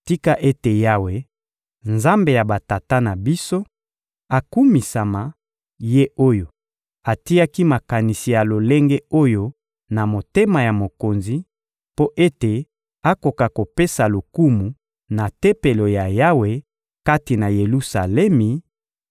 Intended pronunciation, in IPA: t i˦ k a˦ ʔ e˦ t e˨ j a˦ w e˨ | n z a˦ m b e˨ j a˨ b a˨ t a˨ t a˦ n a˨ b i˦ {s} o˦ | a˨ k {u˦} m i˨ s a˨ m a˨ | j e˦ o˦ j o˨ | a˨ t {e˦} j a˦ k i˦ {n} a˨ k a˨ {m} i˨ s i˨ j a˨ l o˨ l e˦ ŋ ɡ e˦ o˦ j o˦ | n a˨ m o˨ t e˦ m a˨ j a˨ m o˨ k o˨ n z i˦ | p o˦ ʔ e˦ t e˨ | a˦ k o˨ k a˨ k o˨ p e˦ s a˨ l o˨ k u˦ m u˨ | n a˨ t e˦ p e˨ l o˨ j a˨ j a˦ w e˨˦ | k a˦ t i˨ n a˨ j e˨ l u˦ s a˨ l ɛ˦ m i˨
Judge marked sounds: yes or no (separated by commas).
yes, yes, no, no, no